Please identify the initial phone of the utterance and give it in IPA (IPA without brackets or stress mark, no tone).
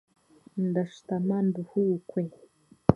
n